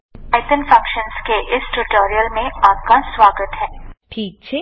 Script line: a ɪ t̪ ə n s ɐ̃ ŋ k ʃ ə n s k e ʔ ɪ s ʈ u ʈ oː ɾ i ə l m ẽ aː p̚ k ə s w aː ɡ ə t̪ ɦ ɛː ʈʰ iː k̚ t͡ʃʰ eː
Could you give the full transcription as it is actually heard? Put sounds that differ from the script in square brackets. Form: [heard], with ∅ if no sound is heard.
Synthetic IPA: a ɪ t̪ ə n [f] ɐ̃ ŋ k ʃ ə n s k e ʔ ɪ s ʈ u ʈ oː ɾ i ə l m ẽ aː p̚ k [a] s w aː ɡ ə t̪ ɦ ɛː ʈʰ iː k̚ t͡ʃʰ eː